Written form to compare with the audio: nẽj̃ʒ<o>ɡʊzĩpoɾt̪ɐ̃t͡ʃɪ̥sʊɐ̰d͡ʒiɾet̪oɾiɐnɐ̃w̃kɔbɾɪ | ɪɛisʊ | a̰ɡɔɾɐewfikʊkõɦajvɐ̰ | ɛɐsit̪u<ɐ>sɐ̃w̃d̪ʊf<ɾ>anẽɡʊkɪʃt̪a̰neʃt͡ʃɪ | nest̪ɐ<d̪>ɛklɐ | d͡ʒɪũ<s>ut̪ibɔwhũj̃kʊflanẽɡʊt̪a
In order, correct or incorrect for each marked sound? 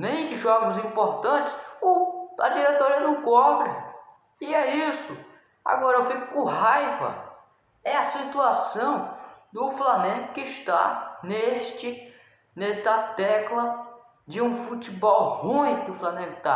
incorrect: ɔ, incorrect: a, incorrect: l, incorrect: t̪, incorrect: f

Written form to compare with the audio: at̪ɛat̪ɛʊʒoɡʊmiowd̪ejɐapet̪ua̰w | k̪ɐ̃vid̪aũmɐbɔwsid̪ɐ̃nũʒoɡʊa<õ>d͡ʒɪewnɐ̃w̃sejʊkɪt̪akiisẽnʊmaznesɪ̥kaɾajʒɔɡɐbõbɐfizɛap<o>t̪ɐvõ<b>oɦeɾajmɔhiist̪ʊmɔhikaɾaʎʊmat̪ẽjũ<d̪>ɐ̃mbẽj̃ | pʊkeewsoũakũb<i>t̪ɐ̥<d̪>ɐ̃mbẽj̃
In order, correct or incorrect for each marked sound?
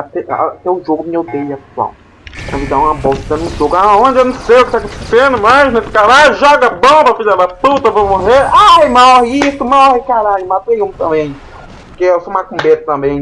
correct, incorrect: u, incorrect: m, incorrect: t̪, incorrect: e, incorrect: t̪

